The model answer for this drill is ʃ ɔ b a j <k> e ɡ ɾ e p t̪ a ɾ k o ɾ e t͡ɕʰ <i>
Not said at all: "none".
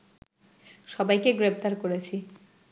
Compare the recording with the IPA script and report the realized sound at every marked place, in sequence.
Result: k, i

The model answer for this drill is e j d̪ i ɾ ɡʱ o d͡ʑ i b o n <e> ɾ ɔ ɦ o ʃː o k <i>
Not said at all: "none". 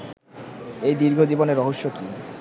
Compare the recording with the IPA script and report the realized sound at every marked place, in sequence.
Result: e, i

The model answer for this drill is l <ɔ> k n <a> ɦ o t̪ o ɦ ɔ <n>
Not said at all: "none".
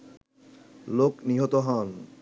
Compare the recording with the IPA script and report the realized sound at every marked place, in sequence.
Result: o, i, n

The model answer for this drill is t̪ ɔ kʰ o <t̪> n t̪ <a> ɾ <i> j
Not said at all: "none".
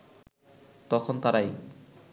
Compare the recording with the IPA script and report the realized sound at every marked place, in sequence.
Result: none, a, a

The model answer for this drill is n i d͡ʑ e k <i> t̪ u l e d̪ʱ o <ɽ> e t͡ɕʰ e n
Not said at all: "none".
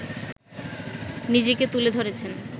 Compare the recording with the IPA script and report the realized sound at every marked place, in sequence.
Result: e, ɾ

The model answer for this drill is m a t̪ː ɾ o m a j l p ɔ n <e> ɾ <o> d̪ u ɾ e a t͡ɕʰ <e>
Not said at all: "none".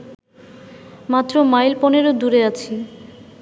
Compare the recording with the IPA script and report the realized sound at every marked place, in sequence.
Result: e, o, i

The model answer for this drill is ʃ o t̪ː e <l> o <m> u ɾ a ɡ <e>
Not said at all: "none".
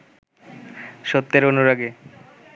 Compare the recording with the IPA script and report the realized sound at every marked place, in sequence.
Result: ɾ, n, e

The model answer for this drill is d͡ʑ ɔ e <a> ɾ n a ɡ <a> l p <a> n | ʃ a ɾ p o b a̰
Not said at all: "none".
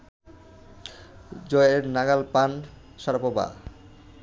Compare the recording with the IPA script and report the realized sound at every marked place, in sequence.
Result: e, a, a

